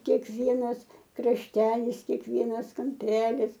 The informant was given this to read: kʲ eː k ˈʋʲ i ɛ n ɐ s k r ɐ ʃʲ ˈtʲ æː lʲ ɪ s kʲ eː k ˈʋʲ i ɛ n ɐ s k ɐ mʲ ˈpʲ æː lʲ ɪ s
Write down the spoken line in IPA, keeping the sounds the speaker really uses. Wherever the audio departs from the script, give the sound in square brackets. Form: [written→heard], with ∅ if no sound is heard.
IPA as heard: kʲ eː k ˈʋʲ i ɛ n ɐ s k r ɐ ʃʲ ˈtʲ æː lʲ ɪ s kʲ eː k ˈʋʲ i ɛ n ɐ s k ɐ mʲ ˈpʲ æː lʲ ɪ s